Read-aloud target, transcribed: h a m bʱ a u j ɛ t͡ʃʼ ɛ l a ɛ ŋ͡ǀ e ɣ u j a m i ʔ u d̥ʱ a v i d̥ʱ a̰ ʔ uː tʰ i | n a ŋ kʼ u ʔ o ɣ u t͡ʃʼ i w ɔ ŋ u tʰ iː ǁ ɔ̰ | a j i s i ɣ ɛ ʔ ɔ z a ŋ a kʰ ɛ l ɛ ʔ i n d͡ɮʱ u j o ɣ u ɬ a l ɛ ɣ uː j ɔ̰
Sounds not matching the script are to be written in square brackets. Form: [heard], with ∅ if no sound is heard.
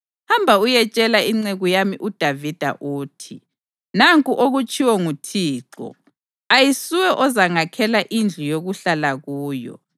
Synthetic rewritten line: h a m bʱ a u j ɛ t͡ʃʼ ɛ l a [i] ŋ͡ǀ e ɣ u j a m i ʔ u d̥ʱ a v i d̥ʱ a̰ ʔ uː tʰ i | n a ŋ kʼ u ʔ o ɣ u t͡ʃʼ i w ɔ ŋ u tʰ iː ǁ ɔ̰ | a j i s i [w] ɛ ʔ ɔ z a ŋ a kʰ ɛ l [a] ʔ i n d͡ɮʱ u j o ɣ u ɬ a l [a] ɣ uː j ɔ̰